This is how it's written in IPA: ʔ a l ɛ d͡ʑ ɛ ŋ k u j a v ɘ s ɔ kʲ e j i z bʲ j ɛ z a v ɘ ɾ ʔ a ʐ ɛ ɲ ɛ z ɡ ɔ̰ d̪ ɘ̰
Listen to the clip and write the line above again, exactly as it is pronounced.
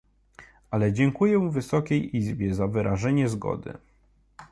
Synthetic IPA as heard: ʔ a l ɛ d͡ʑ ɛ ŋ k u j ɛ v ɘ s ɔ kʲ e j i z bʲ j ɛ z a v ɘ ɾ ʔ a ʐ ɛ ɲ ɛ z ɡ ɔ̰ d̪ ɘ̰